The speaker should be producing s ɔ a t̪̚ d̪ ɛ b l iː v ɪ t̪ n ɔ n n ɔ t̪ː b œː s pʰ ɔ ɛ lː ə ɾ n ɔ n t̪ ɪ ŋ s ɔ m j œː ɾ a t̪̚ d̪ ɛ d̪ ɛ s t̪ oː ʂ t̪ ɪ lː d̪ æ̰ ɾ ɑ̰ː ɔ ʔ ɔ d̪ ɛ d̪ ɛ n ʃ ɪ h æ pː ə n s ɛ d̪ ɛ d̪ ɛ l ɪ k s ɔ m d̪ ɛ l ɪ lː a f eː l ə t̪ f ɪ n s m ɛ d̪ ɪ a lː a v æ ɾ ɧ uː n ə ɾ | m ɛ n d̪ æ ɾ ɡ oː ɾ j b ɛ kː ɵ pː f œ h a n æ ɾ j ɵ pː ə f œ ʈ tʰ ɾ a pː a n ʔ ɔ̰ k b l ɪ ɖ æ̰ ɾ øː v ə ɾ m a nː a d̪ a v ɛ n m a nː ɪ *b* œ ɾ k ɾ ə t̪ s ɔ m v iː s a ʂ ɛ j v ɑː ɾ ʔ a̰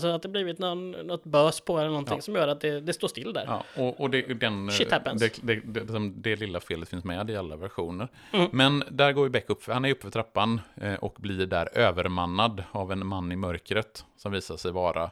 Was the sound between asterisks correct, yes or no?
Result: no